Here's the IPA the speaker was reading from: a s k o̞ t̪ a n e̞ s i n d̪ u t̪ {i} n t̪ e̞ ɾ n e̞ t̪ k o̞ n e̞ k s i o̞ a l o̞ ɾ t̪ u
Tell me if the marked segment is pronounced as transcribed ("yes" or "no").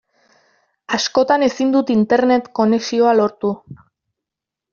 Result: yes